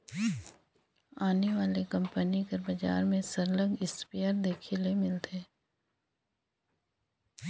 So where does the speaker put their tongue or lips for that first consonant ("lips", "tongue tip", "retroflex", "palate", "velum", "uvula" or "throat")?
tongue tip